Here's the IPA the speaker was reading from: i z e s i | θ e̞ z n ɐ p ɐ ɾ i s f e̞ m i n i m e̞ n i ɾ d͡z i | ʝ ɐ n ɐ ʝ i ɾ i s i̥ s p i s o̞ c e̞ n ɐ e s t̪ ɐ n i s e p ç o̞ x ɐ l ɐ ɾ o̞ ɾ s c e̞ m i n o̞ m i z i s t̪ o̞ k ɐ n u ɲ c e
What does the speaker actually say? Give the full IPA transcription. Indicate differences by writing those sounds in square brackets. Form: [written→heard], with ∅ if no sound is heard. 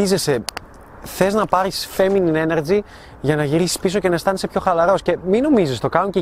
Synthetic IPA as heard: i z e s [i→e] | θ e̞ z n ɐ p ɐ ɾ i s f e̞ m i n i [m→n] e̞ n [i→e] ɾ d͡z i | ʝ ɐ n ɐ ʝ i ɾ i s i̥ s p i s o̞ c e̞ n ɐ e s t̪ ɐ n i s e p ç o̞ x ɐ l ɐ ɾ o̞ [ɾ→∅] s c e̞ m i n o̞ m i z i s t̪ o̞ k ɐ n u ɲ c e